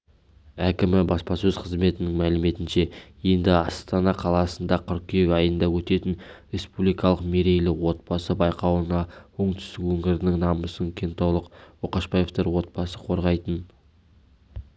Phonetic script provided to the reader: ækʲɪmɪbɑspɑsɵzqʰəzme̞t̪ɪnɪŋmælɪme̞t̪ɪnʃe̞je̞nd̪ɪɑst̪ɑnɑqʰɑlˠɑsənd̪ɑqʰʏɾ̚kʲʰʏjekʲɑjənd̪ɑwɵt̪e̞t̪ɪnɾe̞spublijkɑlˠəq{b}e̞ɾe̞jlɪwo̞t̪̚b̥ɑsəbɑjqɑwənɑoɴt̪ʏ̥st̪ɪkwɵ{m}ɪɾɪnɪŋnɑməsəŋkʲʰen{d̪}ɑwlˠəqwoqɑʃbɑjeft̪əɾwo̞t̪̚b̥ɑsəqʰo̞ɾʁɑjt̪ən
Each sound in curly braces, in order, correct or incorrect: incorrect: m, incorrect: ŋ, incorrect: t̪

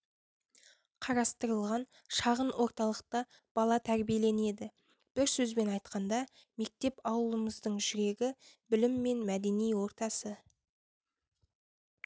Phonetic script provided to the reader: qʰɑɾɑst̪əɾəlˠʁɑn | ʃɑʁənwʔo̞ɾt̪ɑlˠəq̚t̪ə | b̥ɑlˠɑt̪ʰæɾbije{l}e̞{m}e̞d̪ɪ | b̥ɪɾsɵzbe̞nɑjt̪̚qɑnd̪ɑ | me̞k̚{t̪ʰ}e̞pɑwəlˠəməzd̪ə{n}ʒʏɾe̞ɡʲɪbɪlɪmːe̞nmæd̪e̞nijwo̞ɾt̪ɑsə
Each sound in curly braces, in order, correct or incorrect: correct, incorrect: n, incorrect: t̪, incorrect: ɴ

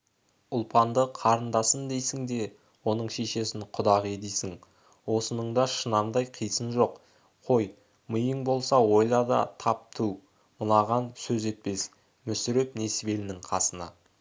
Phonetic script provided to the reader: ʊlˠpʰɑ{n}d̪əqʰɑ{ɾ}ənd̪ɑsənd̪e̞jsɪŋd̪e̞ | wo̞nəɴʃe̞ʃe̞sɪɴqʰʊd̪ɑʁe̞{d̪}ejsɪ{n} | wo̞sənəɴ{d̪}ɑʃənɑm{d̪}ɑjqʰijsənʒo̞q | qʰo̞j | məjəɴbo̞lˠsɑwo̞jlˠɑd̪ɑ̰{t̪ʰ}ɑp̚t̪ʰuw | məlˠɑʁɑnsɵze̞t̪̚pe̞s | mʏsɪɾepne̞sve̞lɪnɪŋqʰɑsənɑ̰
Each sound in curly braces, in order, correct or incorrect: correct, correct, correct, incorrect: ŋ, correct, correct, correct

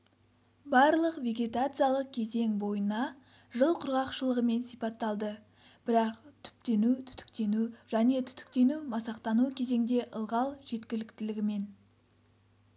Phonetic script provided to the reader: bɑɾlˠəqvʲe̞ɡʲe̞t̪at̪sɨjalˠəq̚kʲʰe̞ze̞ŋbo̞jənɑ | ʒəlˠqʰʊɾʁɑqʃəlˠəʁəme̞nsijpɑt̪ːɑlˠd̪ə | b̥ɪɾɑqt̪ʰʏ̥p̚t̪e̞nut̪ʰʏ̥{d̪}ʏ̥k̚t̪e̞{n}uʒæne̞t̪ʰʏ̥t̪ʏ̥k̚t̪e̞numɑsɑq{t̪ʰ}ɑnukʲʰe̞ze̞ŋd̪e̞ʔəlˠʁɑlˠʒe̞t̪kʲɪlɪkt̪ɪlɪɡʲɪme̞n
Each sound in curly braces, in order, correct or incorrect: incorrect: t̪, correct, incorrect: t̪

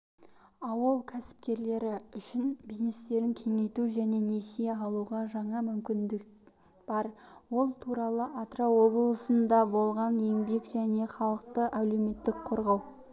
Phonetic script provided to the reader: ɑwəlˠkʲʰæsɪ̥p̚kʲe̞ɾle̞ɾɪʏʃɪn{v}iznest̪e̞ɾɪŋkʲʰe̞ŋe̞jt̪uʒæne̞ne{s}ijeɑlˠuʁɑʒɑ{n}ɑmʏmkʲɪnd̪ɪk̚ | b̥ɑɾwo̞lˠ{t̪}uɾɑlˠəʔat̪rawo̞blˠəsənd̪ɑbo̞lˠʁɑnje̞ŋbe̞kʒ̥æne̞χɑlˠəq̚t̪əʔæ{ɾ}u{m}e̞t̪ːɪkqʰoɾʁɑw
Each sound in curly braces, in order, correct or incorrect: incorrect: b, correct, incorrect: ɴ, incorrect: t̪ʰ, incorrect: l, correct

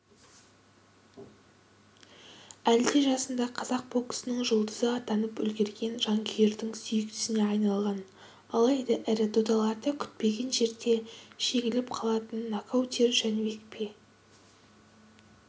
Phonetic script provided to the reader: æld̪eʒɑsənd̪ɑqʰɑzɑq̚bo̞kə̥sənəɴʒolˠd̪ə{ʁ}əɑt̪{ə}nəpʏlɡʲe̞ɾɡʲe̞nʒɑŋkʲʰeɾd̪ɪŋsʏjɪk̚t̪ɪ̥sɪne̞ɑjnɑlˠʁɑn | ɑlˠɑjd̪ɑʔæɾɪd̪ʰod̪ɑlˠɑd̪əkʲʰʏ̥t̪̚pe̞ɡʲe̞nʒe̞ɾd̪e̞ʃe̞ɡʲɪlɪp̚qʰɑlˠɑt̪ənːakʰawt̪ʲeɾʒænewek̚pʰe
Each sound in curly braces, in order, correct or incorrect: incorrect: z, incorrect: ɑ

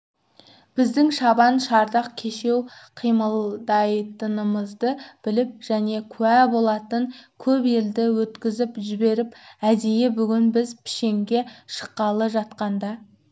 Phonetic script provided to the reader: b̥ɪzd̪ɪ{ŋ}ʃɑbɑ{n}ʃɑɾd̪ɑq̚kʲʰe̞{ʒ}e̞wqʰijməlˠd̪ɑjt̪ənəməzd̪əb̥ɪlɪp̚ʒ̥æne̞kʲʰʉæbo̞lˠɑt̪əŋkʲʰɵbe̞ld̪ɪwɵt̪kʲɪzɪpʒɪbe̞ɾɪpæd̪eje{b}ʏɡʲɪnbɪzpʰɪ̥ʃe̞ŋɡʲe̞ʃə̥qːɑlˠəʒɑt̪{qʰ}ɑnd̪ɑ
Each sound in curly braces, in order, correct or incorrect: correct, correct, incorrect: ʃ, correct, incorrect: q

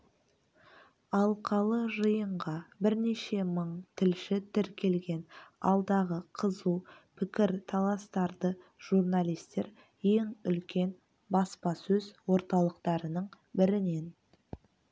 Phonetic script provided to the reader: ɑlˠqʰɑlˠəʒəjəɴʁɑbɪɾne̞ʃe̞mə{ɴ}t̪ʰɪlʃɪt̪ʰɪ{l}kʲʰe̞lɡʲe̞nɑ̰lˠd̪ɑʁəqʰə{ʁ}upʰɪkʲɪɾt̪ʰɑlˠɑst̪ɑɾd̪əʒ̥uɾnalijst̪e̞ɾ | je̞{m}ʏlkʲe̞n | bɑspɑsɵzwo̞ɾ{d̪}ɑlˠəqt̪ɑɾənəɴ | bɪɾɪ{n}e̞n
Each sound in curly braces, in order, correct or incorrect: correct, incorrect: ɾ, incorrect: z, incorrect: ŋ, incorrect: t̪, correct

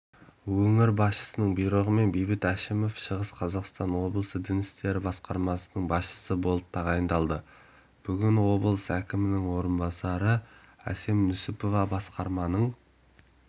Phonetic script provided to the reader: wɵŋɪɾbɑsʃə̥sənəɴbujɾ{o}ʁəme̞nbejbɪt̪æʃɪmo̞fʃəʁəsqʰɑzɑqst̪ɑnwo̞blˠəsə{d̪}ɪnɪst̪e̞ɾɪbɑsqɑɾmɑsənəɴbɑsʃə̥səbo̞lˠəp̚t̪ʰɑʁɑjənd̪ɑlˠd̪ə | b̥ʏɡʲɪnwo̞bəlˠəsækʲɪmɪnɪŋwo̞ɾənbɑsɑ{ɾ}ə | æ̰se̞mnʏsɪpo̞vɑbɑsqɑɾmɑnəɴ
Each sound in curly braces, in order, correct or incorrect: correct, correct, correct

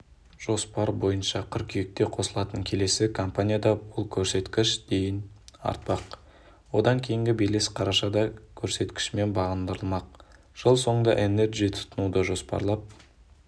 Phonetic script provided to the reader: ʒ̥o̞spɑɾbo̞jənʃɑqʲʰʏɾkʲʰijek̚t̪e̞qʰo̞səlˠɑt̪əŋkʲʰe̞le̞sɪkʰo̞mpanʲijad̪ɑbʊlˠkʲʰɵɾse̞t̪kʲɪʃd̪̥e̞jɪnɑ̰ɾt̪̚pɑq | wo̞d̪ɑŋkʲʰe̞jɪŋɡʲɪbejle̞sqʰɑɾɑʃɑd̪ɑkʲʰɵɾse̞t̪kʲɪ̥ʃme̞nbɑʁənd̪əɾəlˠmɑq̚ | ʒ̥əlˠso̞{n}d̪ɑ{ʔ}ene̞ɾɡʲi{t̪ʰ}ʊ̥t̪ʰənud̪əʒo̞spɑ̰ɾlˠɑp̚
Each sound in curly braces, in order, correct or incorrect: incorrect: ɴ, correct, correct

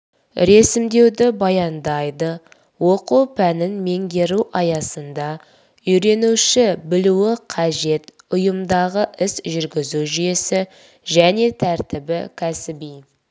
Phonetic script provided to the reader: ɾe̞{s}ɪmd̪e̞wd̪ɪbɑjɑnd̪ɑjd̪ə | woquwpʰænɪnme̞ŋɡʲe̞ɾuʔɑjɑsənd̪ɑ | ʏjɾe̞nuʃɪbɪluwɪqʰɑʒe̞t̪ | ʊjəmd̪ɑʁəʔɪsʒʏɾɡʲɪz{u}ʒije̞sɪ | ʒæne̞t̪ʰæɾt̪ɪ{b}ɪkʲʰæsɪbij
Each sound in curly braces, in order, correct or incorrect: correct, correct, correct

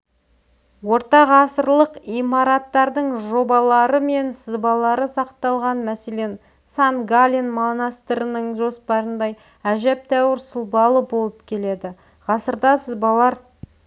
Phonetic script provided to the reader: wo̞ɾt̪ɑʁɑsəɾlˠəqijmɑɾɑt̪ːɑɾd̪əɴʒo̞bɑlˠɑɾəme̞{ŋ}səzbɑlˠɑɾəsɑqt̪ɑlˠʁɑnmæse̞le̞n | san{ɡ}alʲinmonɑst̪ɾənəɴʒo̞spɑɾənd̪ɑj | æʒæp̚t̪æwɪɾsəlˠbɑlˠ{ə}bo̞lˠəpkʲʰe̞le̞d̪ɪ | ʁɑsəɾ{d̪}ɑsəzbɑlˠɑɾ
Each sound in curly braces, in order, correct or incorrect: incorrect: n, correct, correct, correct

